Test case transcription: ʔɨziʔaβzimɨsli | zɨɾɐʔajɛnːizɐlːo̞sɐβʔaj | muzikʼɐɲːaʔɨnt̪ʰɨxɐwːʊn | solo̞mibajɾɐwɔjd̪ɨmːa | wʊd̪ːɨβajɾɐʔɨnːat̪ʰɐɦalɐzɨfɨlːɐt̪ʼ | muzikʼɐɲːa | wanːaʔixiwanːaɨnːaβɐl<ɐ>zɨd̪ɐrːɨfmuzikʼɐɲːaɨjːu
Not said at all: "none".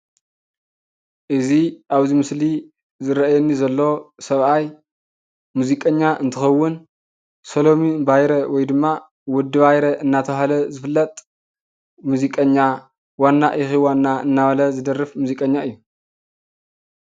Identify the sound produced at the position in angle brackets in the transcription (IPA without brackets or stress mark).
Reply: ɐ